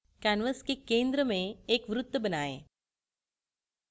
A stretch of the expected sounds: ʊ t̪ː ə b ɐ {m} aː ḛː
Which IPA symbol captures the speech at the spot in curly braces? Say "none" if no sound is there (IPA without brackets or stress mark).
n